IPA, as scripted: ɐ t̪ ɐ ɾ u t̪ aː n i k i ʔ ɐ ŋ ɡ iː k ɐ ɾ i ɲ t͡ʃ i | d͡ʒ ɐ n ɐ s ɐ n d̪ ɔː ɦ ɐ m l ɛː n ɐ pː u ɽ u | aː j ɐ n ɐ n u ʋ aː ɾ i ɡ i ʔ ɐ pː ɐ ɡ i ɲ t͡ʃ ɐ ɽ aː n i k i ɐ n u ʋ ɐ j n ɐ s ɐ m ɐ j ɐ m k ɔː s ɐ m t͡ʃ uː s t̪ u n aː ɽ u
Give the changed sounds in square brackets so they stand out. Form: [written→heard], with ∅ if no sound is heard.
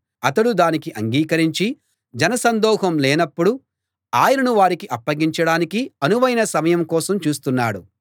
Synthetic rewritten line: ɐ t̪ ɐ [ɾ→ɽ] u [t̪→d̪] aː n i k i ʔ ɐ ŋ ɡ iː k ɐ ɾ i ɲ t͡ʃ i | d͡ʒ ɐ n ɐ s ɐ n d̪ ɔː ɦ ɐ m l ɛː n ɐ pː u ɽ u | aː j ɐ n ɐ n u ʋ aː ɾ i [ɡ→k] i ʔ ɐ pː ɐ ɡ i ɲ t͡ʃ ɐ ɽ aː n i k i ɐ n u ʋ ɐ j n ɐ s ɐ m ɐ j ɐ m k ɔː s ɐ m t͡ʃ uː s t̪ u [n→nː] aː ɽ u